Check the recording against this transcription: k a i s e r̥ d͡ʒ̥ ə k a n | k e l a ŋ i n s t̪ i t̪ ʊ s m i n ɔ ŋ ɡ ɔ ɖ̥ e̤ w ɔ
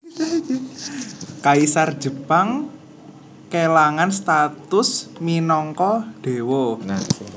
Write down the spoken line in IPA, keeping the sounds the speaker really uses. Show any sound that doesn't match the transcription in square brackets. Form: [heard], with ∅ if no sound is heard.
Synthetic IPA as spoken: k a i s [a] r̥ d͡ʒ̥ ə [p] a [ŋ] | k e l a ŋ [a] n s t̪ [a] t̪ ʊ s m i n ɔ ŋ [k] ɔ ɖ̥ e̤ w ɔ

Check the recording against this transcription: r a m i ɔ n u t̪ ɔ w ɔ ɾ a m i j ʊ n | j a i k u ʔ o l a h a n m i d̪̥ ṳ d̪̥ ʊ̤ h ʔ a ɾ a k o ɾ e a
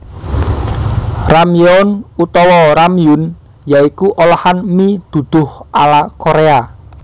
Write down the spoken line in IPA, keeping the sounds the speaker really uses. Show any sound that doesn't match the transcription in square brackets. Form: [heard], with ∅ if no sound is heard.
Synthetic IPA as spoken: r a m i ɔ n u t̪ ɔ w ɔ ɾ a m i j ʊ n | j a i k u ʔ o l a h a n m i d̪̥ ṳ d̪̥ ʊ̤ h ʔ a [l] a k o ɾ e a

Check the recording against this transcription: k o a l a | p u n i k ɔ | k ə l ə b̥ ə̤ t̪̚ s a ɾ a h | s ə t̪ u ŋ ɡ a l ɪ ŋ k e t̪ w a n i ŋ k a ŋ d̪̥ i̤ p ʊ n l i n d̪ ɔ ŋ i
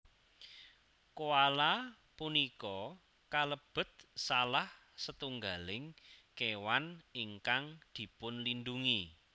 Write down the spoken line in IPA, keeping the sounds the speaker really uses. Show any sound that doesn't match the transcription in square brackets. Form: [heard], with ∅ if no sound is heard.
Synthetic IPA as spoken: k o a l a | p u n i k ɔ | k [a] l ə b̥ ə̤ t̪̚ s a [l] a h | s ə t̪ u ŋ ɡ a l ɪ ŋ k e [∅] w a n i ŋ k a ŋ d̪̥ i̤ p ʊ n l i n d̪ [u] ŋ i

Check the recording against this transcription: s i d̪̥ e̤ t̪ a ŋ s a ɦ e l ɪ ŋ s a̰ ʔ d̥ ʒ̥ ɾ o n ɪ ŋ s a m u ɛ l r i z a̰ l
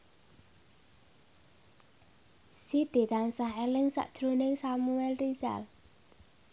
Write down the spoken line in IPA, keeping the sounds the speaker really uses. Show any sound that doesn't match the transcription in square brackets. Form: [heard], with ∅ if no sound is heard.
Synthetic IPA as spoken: s i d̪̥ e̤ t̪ a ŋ s a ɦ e l ɪ ŋ s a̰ ʔ d̥ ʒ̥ ɾ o n ɪ ŋ s a m u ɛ l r i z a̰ l

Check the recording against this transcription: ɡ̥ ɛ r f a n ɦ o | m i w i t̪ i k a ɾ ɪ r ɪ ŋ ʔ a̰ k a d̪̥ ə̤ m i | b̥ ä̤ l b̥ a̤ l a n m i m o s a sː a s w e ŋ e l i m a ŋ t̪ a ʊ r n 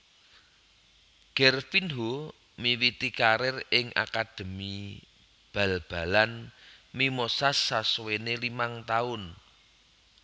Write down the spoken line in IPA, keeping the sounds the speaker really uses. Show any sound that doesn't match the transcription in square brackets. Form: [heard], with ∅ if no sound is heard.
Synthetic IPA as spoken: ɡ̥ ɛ r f [i] n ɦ o | m i w i t̪ i k a ɾ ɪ r ɪ ŋ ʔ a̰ k a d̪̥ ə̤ m i | b̥ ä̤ l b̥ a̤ l a n m i m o s a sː a s w e [n] e l i m a ŋ t̪ a ʊ [∅] n

